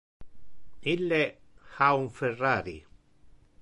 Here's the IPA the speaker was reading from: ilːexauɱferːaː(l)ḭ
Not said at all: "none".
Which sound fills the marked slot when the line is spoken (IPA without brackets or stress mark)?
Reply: ɾ